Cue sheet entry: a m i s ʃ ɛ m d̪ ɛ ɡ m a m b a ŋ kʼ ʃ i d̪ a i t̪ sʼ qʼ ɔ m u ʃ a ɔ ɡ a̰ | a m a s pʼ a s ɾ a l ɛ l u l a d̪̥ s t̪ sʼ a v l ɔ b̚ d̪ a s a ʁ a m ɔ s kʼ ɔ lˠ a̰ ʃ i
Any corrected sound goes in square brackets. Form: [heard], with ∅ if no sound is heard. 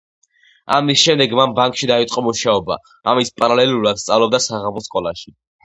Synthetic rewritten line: a m i s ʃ ɛ m d̪ ɛ ɡ m a m b a ŋ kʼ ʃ i d̪ a i t̪ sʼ qʼ ɔ m u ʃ a ɔ [b] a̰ | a m [i] s pʼ a [∅] ɾ a l ɛ l u [ɾ] a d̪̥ s t̪ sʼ a v l ɔ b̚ d̪ a s a ʁ a m ɔ s kʼ ɔ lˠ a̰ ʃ i